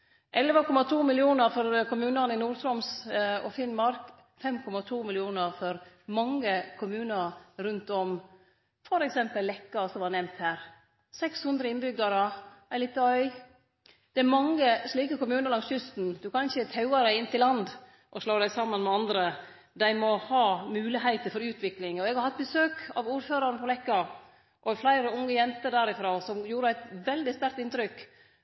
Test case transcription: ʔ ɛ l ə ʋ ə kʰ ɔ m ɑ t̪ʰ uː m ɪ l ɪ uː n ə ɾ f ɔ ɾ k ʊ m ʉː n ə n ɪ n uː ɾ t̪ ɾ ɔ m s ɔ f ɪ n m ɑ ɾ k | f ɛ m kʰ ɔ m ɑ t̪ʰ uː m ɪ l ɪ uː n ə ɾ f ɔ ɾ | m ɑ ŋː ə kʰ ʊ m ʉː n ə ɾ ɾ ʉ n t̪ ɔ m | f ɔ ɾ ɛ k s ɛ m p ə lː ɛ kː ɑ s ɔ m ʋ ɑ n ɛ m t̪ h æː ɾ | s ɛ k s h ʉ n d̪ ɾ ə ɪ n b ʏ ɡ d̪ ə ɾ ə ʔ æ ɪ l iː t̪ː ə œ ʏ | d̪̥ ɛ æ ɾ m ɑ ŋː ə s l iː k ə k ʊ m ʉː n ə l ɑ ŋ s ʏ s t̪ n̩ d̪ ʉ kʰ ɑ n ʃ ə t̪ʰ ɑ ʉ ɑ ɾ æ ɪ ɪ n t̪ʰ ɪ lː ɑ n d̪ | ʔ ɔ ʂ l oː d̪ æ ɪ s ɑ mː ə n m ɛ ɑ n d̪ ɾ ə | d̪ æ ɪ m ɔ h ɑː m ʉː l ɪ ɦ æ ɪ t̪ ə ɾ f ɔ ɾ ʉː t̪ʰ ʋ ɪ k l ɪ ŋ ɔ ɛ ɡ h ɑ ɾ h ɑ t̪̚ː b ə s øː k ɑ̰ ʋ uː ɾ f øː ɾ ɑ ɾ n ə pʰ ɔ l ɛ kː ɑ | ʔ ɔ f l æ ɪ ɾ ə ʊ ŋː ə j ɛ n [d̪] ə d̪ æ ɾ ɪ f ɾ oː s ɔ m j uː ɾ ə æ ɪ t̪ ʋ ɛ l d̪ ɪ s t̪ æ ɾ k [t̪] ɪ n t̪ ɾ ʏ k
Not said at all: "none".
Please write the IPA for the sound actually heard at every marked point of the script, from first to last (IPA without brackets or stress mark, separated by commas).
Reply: t̪, t̪